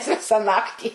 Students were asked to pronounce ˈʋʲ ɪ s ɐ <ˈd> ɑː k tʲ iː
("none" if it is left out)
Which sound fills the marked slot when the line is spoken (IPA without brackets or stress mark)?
n